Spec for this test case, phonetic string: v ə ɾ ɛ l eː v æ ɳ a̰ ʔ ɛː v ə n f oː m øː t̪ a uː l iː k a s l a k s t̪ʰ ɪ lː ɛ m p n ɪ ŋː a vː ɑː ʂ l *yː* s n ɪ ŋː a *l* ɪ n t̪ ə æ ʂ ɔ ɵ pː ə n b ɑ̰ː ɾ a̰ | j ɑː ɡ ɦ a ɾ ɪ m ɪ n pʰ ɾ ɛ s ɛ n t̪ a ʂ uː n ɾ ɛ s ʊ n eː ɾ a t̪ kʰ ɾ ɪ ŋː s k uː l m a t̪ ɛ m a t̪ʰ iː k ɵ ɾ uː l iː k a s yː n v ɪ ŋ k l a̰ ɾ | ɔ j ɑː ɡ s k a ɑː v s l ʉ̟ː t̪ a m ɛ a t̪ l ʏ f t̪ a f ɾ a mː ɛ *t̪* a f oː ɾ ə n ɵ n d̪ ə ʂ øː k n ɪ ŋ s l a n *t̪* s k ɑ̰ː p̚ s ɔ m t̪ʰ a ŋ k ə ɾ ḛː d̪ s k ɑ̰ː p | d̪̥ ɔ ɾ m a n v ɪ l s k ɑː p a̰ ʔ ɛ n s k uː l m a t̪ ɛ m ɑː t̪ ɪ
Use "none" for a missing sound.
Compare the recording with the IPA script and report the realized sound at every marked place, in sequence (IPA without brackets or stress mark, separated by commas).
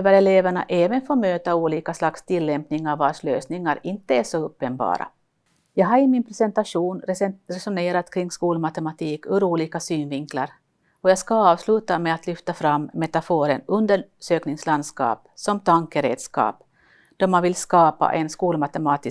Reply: øː, ɾ, t̪, d̪